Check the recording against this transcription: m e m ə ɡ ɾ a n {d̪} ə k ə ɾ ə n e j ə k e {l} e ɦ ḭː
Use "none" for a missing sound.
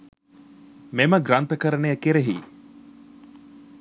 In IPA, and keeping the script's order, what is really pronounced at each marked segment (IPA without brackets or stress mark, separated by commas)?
t̪, ɾ